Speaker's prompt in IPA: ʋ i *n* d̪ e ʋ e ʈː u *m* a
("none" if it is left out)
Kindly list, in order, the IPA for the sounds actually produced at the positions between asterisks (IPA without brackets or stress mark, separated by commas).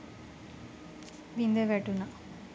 n, n